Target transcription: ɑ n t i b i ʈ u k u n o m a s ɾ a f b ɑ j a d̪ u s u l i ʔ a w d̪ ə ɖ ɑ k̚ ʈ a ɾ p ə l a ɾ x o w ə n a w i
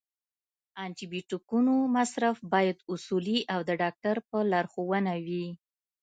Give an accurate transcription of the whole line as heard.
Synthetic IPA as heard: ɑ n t i b i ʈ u k u n o m a s ɾ a f b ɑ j a d̪ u s u l i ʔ a w d̪ ə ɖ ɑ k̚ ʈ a ɾ p ə l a ɾ x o w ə n a w i